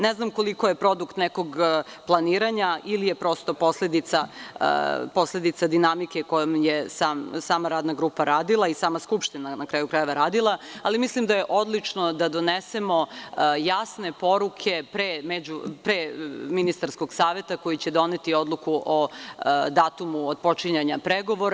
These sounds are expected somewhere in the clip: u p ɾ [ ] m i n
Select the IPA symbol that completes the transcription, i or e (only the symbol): e